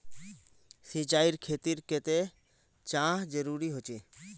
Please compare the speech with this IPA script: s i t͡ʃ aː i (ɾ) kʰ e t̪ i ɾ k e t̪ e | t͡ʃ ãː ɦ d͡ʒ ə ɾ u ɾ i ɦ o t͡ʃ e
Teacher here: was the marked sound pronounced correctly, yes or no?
yes